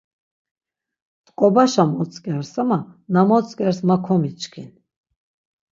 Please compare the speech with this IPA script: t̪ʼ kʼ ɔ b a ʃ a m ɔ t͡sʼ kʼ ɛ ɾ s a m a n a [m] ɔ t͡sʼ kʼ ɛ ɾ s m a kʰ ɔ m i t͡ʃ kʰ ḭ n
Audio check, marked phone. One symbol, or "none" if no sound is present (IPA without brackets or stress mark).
m